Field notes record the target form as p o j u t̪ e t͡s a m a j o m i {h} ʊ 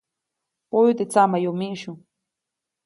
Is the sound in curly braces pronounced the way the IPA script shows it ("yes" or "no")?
no